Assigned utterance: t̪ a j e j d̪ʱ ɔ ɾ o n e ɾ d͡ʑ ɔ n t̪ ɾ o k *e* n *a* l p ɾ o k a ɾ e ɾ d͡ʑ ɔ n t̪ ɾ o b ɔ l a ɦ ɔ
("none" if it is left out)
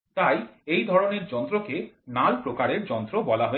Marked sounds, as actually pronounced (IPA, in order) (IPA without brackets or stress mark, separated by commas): e, a